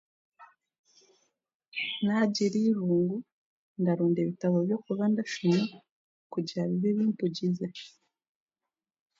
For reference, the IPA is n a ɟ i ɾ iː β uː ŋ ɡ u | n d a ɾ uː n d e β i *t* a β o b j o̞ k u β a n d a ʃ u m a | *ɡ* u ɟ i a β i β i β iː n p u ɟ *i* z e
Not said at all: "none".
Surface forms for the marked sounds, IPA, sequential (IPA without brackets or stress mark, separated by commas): t, k, i